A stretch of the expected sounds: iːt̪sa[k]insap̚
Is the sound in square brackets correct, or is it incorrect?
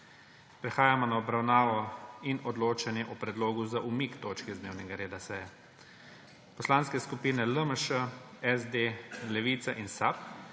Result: incorrect